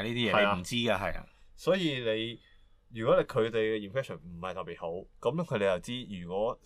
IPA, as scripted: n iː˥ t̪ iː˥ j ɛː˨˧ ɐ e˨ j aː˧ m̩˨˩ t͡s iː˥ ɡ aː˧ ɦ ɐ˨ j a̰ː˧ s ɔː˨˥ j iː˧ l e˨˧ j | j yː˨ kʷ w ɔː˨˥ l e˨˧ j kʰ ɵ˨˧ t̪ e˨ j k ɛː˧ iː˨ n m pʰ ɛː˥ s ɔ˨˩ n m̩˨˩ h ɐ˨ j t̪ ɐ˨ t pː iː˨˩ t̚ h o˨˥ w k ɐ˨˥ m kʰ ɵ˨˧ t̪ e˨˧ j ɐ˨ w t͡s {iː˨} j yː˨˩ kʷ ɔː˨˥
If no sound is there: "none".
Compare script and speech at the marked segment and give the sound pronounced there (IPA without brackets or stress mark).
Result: iː˥